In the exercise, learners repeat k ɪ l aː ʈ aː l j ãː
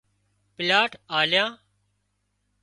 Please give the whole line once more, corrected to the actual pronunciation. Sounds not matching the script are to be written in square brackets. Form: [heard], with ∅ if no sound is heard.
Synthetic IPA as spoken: [p] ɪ l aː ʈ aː l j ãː

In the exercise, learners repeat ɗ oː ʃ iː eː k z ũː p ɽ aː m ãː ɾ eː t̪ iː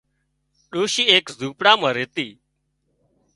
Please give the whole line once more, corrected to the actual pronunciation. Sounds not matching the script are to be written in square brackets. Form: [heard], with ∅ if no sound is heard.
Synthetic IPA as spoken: ɗ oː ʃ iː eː k z [uː] p ɽ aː m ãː ɾ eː t̪ iː

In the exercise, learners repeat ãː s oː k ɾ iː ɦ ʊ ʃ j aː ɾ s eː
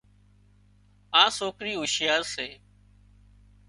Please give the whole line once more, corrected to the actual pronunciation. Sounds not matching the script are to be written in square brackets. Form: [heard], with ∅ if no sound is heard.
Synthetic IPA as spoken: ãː s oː k ɾ iː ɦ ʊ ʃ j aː ɾ s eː

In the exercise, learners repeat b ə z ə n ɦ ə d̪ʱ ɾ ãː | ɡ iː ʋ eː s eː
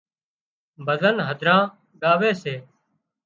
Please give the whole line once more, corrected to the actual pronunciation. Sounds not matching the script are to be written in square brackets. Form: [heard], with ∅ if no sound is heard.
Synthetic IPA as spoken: b ə z ə n ɦ ə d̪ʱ ɾ ãː | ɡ [aː] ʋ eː s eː

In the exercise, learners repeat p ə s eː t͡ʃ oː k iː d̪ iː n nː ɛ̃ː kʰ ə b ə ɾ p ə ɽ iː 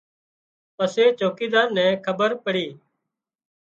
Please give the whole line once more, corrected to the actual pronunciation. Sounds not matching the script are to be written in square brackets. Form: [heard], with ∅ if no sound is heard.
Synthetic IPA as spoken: p ə s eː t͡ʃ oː k iː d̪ [aː] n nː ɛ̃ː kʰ ə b ə ɾ p ə ɽ iː

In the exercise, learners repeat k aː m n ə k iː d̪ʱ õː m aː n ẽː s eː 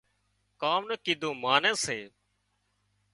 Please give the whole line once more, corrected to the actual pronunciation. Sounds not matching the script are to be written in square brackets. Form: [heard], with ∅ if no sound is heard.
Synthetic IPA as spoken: k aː m n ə k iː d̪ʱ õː m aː n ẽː s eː

